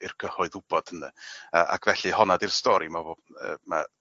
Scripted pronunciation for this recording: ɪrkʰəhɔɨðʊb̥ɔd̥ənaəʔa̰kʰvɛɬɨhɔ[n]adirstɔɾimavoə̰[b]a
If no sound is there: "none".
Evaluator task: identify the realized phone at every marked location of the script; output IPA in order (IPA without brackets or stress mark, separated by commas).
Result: n, m